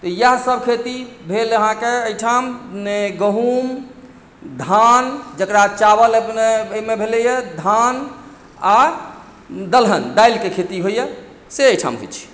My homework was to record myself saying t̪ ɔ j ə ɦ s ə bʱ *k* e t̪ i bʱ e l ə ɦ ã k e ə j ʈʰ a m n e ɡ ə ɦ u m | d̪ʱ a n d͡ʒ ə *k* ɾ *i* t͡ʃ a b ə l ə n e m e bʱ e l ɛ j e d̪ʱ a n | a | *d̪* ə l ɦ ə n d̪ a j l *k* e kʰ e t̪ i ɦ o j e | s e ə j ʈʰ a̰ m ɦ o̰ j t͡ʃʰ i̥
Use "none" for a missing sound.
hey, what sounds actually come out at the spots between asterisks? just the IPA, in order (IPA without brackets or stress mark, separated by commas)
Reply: kʰ, k, a, d̪, k